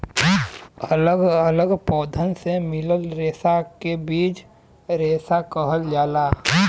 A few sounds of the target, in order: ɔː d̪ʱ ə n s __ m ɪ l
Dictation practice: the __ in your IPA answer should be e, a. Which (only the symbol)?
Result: e